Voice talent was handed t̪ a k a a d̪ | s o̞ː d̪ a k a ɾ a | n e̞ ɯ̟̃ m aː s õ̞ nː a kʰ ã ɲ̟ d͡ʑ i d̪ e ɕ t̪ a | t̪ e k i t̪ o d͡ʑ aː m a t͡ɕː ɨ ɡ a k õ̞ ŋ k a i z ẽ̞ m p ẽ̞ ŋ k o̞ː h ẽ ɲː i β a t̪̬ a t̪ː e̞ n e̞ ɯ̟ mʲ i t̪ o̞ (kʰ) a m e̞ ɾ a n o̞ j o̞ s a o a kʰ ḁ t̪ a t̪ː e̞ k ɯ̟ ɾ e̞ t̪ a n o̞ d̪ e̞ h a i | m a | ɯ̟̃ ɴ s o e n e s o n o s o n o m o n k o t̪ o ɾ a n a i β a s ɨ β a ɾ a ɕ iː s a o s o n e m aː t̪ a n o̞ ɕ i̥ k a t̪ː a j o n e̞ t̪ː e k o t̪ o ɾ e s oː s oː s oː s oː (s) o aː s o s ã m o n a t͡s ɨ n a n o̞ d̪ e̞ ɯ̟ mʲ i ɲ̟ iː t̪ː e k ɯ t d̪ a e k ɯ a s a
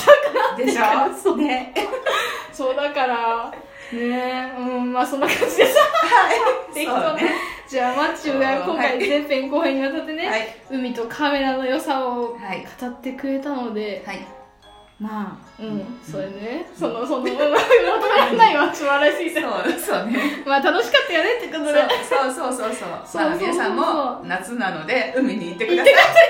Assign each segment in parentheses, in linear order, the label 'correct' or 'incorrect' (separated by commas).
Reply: correct, correct